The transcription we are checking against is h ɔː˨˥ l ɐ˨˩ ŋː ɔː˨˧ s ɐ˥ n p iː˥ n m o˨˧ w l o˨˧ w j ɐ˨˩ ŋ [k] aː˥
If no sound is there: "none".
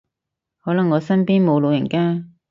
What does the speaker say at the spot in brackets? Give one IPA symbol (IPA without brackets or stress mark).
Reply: k